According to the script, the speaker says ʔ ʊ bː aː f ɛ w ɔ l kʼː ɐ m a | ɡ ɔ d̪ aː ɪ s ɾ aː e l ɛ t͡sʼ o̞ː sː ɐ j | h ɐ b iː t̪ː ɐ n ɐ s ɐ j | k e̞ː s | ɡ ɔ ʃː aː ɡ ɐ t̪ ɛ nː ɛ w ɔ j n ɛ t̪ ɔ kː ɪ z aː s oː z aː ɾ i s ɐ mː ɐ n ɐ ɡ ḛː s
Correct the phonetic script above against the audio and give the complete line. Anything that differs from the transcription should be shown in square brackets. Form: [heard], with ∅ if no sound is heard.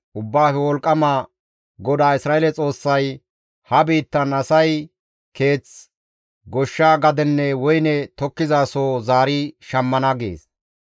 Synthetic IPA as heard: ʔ ʊ bː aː f ɛ w ɔ l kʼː ɐ m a | ɡ ɔ d̪ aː ɪ s ɾ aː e l ɛ t͡sʼ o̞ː sː ɐ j | h ɐ b iː t̪ː ɐ n ɐ s ɐ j | k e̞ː [t͡s] | ɡ ɔ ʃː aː ɡ ɐ [d̪] ɛ nː ɛ w ɔ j n ɛ t̪ ɔ kː ɪ z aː s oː z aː ɾ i [ʃ] ɐ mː ɐ n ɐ ɡ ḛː s